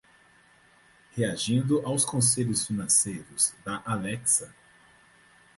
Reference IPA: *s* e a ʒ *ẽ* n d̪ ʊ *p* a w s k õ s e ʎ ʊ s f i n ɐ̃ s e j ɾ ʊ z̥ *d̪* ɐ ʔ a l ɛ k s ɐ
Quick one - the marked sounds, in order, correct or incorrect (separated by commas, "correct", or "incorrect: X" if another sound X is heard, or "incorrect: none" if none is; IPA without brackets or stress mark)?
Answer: incorrect: h, incorrect: ĩ, incorrect: ʔ, correct